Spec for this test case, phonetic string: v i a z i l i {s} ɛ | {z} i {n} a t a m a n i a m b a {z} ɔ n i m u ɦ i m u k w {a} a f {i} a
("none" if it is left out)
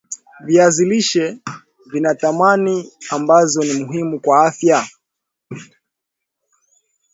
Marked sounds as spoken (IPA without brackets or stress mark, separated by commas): ʃ, v, n, z, a, j